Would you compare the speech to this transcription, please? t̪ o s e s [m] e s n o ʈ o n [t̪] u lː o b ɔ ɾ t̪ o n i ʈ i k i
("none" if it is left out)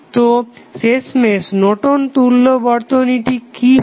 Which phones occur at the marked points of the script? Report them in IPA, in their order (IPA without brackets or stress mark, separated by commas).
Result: m, t̪